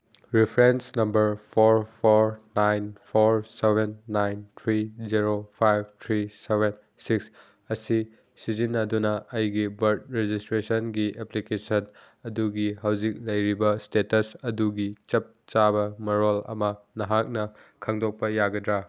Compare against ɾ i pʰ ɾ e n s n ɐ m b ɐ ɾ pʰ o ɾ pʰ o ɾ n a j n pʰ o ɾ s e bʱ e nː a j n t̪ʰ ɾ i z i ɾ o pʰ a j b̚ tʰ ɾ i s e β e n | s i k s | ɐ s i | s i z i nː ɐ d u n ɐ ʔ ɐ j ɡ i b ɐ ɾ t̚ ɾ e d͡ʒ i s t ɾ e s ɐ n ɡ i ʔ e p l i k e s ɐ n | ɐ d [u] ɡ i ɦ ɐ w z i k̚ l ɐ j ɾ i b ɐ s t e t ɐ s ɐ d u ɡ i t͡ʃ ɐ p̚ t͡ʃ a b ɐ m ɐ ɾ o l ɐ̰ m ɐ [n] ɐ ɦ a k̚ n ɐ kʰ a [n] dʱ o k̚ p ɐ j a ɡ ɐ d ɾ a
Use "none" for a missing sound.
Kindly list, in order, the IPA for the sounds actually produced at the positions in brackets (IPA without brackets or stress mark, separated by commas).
u, n, ŋ